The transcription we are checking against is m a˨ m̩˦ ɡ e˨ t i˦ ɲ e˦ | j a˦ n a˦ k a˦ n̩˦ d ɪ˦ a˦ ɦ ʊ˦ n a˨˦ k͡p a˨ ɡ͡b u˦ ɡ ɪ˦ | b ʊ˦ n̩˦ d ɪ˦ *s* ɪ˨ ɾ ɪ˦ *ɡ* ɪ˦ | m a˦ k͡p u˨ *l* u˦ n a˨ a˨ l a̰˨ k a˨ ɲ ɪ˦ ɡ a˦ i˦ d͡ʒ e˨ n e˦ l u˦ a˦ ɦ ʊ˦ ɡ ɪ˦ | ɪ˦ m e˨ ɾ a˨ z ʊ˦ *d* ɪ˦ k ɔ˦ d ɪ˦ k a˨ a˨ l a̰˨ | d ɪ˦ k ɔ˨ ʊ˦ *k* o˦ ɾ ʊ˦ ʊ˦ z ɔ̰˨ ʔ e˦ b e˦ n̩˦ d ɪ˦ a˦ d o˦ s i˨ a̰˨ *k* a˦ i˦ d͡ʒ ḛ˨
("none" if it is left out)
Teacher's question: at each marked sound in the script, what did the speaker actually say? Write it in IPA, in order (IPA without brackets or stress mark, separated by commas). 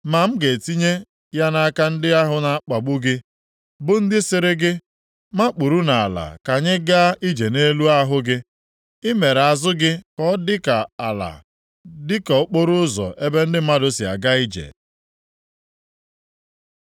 s, ɡ, ɾ, ɡ, k͡p, ɡ